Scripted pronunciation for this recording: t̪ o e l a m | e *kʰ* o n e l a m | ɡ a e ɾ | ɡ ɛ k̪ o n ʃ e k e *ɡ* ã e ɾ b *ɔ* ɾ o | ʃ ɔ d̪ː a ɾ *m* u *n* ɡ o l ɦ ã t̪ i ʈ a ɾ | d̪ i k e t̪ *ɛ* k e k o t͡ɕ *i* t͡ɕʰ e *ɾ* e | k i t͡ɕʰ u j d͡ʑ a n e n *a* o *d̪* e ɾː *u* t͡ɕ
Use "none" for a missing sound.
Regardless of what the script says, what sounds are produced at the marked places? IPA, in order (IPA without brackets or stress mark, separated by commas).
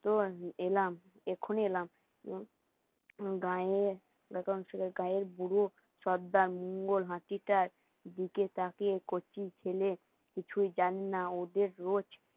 kʰ, ɡ, u, m, ŋ, a, i, l, a, d̪, o